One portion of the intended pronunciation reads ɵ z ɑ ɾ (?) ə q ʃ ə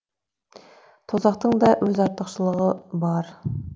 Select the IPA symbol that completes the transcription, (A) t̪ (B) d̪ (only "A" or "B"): A